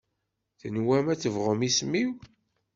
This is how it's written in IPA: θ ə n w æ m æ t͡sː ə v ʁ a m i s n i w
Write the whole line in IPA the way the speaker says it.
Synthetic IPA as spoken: θ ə n w æ m æ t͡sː ə v ʁ ə m i s m i w